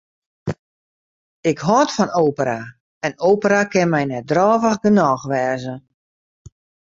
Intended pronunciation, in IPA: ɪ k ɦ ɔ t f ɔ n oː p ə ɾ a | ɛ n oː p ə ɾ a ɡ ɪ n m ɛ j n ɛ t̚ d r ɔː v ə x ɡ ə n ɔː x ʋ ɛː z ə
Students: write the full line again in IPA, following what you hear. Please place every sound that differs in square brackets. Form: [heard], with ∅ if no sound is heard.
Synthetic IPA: ɪ k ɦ ɔ t f ɔ n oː p ə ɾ a | ɛ n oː p ə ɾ a [k] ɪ n m ɛ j n ɛ t̚ d r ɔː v ə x ɡ ə n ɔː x ʋ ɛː z ə